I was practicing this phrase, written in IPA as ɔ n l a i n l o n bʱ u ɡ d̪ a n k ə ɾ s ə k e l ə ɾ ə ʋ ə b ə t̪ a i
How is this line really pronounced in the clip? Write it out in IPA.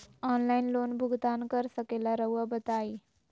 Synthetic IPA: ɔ n l a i n l o n bʱ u ɡ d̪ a n k ə ɾ s ə k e l a ɾ ə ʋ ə b ə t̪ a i